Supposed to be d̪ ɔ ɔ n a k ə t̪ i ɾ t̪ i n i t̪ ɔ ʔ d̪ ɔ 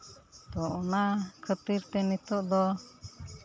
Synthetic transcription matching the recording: t̪ ɔ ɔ n a kʰ ə t̪ i ɾ t̪ ɛ n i t̪ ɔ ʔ d̪ ɔ

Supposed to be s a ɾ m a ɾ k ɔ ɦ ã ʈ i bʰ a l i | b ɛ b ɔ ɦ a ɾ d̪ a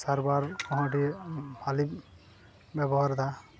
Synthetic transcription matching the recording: s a ɾ b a ɾ k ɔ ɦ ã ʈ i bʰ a l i | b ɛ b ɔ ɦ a ɾ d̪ a

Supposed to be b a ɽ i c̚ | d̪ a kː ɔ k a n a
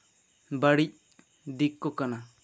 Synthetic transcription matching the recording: b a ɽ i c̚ | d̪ i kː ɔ k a n a

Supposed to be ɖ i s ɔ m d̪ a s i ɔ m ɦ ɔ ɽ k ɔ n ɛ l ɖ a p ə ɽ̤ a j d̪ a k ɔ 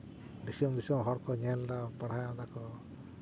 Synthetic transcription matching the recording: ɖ i s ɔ m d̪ i s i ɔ m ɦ ɔ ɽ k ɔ ɲ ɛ l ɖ a p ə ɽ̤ a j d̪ a k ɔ

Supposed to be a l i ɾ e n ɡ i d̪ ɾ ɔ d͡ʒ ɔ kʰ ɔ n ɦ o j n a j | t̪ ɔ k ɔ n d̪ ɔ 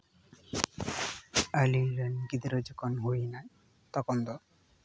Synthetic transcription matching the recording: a l i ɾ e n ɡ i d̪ ɾ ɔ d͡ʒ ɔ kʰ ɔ n ɦ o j n a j | t̪ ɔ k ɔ n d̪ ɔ

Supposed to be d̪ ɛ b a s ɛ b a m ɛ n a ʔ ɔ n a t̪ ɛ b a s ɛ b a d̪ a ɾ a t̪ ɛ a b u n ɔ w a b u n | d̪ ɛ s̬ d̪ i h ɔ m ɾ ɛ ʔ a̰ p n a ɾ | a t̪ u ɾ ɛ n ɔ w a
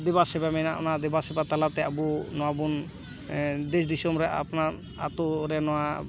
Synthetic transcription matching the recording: d̪ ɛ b a s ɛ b a m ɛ n a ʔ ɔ n a d̪ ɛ b a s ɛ b a t̪ a l a t̪ ɛ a b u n ɔ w a b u n | d̪ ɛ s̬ d̪ i s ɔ m ɾ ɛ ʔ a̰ p n a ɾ | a t̪ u ɾ ɛ n ɔ w a

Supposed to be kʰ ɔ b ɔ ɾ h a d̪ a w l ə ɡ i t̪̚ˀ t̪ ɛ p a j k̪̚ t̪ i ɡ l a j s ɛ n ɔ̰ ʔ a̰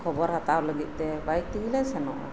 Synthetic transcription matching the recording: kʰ ɔ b ɔ ɾ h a t̪ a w l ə ɡ i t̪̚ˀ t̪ ɛ b a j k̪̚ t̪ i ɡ l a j s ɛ n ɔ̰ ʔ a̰

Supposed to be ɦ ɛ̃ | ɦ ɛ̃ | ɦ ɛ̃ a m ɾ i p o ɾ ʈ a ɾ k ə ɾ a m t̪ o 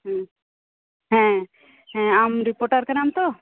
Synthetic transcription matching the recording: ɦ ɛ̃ | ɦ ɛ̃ | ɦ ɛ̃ a m ɾ i p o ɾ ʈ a ɾ k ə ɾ a m t̪ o

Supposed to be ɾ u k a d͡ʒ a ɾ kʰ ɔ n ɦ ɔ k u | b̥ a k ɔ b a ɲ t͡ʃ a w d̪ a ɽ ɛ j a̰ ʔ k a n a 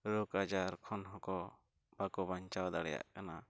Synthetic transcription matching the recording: ɾ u k a d͡ʒ a ɾ kʰ ɔ n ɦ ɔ k ɔ | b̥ a k ɔ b a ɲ t͡ʃ a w d̪ a ɽ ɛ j a̰ ʔ k a n a

